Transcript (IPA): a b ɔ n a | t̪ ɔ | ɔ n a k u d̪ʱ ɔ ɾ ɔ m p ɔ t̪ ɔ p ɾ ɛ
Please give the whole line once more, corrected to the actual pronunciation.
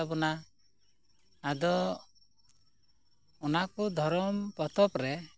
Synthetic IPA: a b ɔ n a | d̪ ɔ | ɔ n a k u d̪ʱ ɔ ɾ ɔ m p ɔ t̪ ɔ p ɾ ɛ